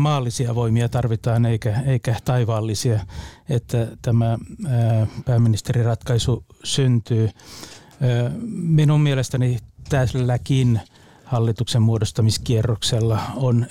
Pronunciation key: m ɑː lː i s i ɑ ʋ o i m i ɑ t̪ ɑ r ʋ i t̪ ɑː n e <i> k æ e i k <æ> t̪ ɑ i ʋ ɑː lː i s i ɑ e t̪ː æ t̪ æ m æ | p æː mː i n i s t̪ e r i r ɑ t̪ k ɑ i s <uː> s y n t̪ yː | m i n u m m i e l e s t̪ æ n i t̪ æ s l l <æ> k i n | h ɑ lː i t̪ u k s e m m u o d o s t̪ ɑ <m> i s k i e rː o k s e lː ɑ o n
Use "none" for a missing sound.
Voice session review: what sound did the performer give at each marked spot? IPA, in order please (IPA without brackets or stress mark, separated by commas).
i, æ, u, æ, m